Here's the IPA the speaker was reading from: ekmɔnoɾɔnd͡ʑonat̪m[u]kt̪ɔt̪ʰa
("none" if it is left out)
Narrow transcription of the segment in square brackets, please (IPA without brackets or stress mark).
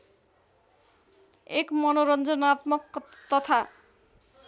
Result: o